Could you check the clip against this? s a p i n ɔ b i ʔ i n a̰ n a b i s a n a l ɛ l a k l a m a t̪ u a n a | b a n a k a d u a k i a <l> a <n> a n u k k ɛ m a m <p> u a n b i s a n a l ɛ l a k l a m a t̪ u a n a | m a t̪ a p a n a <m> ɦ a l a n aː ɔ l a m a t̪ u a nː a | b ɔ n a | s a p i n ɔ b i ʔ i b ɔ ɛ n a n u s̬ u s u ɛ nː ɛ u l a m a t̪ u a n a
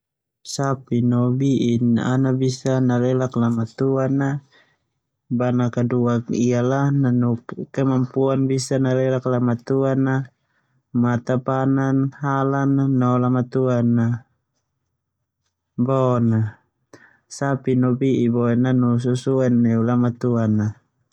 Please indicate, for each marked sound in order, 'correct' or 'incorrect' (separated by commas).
correct, correct, correct, incorrect